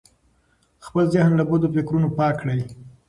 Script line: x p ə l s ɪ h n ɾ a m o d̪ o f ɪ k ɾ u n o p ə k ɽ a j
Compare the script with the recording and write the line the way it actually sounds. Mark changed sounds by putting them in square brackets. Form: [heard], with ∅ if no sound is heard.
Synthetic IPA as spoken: x p ə l [z] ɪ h n [l] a [b] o d̪ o f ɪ k ɾ u n o p [ɑ] k ɽ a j